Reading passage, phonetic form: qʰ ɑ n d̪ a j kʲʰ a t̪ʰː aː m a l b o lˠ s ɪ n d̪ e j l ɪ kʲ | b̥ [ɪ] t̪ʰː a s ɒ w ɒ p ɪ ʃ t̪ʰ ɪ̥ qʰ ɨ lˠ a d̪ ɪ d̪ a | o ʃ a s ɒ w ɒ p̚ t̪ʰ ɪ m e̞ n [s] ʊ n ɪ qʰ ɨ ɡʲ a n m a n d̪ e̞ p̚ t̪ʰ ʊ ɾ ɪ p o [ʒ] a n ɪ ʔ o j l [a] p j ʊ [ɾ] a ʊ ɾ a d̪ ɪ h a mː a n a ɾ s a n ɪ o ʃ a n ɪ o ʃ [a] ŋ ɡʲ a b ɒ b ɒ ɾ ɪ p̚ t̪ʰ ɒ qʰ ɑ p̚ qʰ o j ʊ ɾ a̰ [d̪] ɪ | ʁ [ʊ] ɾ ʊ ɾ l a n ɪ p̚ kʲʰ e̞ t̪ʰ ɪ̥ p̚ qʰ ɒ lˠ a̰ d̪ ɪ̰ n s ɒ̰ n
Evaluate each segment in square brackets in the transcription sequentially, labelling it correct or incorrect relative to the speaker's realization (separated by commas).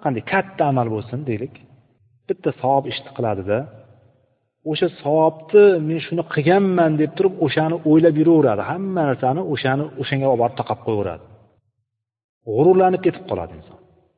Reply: correct, incorrect, incorrect, correct, correct, correct, correct, correct